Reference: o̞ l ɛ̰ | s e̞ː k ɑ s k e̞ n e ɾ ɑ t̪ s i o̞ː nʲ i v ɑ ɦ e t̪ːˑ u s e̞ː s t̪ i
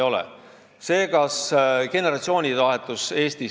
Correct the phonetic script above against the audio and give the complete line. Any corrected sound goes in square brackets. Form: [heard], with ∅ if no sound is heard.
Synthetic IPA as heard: o̞ l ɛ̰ | s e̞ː k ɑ s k e̞ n e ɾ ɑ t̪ s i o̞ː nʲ i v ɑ ɦ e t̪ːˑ u s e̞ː s t̪ i